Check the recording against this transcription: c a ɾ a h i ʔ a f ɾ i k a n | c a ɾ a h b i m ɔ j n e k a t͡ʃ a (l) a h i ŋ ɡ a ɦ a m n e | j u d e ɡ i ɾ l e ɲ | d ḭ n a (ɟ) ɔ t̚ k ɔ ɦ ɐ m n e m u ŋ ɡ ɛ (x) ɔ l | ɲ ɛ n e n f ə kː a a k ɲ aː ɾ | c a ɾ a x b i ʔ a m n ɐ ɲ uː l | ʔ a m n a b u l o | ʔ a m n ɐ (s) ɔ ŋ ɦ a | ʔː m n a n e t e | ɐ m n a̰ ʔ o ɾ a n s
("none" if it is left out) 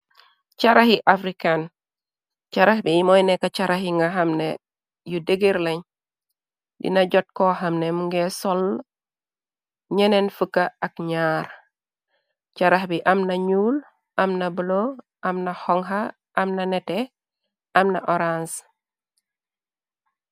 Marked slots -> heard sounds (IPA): ɾ, ɟ, s, h

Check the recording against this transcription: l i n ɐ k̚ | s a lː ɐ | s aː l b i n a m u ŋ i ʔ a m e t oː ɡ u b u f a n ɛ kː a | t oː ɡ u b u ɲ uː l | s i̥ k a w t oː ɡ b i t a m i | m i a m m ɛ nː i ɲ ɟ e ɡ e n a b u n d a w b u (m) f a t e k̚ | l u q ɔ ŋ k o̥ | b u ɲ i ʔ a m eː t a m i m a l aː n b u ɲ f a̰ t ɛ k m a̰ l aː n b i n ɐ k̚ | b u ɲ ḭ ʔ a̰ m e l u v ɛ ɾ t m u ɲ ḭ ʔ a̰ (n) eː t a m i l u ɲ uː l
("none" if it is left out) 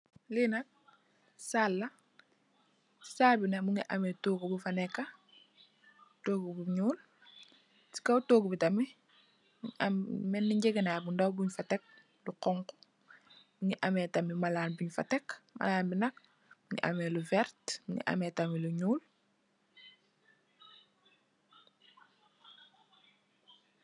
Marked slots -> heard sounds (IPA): ɲ, m

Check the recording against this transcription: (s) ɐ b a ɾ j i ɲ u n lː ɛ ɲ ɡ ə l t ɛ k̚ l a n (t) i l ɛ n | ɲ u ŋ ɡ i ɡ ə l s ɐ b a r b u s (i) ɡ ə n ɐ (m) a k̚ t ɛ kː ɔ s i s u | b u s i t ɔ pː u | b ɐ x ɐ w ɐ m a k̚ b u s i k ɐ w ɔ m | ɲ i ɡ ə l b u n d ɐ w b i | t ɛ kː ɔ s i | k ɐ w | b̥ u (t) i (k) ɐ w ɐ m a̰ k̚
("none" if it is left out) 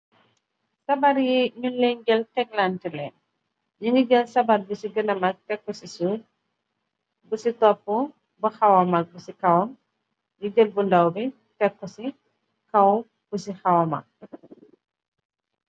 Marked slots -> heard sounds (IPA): s, t, i, m, s, x

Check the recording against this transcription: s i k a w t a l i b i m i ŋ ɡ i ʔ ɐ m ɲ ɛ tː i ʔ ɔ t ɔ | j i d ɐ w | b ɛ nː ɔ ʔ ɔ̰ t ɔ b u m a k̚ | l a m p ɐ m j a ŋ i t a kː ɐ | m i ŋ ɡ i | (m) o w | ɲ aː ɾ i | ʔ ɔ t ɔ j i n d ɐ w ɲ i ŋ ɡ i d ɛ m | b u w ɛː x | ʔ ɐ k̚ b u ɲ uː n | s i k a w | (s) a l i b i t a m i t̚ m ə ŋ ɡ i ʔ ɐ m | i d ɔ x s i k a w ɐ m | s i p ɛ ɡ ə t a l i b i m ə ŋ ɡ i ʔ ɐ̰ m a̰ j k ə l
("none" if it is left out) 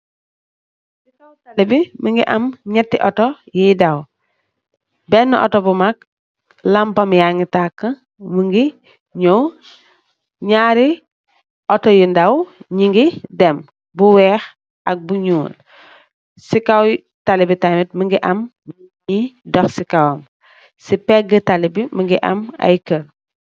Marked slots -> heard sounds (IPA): ɲ, t

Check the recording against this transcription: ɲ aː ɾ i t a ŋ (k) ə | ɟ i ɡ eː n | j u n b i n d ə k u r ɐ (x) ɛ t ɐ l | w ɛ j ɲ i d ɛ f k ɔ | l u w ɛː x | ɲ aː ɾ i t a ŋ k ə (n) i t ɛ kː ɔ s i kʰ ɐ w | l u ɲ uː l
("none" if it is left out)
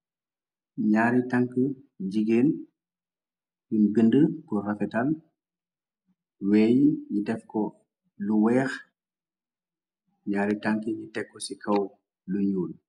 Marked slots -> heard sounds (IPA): k, f, ɲ

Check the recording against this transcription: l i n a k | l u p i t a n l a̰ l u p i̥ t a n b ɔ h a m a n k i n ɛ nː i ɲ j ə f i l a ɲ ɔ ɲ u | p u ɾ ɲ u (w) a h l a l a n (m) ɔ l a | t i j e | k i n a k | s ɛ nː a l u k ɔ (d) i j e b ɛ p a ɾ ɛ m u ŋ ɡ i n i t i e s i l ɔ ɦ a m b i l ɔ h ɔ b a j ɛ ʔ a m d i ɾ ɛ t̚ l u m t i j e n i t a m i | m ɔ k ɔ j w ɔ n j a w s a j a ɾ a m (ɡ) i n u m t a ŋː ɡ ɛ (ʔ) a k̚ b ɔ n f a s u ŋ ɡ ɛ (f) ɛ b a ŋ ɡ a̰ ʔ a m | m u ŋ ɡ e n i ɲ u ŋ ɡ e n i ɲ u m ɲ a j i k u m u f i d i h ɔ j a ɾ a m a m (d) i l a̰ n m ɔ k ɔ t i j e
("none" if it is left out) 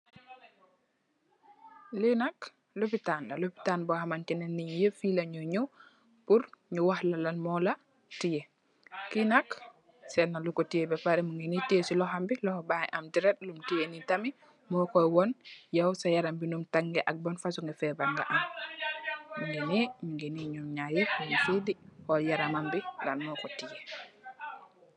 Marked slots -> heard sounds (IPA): w, m, t, b, ʔ, f, b

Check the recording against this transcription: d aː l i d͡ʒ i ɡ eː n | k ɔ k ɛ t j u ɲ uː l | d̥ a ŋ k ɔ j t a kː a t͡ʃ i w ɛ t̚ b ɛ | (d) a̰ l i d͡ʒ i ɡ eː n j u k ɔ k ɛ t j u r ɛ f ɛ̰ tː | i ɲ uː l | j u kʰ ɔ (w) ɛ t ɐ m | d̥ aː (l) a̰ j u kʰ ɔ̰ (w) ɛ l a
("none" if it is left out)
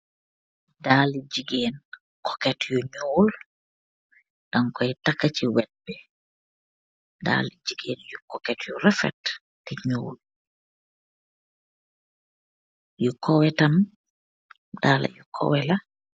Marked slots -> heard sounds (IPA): d, w, l, w

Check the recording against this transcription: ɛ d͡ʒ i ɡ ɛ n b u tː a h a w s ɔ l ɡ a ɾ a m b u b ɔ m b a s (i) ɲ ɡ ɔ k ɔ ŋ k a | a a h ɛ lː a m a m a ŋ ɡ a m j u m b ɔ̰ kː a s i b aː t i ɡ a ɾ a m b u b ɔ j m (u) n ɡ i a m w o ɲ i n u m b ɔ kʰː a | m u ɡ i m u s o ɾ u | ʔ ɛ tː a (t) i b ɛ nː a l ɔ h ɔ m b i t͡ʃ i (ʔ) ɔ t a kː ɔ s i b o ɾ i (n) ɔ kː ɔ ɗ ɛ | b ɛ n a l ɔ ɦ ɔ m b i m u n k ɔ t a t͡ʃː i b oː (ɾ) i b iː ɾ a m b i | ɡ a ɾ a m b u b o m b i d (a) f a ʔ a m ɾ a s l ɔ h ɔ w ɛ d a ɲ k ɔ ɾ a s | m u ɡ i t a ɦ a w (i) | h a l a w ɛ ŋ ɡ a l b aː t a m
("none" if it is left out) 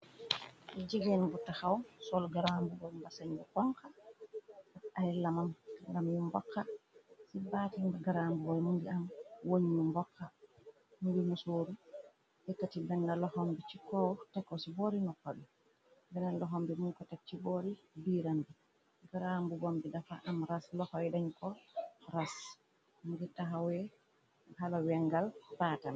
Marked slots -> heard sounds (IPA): a, u, t, k, n, ɾ, a, ɛ

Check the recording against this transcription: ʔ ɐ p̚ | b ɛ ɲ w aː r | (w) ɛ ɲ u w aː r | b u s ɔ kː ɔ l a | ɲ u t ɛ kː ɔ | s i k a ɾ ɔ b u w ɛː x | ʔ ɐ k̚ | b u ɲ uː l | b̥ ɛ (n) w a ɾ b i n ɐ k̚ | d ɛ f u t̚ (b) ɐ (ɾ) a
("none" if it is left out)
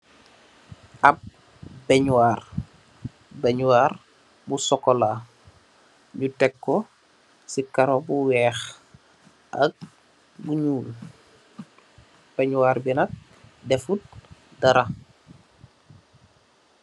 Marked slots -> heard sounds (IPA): b, ɲ, d, ɾ

